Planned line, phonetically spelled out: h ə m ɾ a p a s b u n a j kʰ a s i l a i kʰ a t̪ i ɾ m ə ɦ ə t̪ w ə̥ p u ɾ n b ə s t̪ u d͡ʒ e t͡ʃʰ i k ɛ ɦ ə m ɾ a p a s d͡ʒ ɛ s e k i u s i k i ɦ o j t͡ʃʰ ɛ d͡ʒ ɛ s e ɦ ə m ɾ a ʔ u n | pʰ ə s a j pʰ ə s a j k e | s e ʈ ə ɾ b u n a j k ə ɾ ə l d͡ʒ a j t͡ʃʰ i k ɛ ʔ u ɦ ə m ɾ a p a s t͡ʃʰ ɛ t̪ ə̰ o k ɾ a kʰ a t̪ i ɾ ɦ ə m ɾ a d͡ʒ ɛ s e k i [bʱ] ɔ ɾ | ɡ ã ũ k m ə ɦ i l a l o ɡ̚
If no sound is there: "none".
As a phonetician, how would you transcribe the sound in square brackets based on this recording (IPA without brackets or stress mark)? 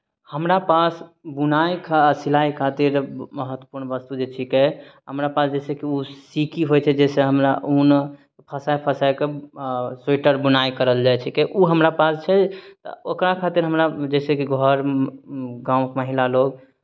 ɡʱ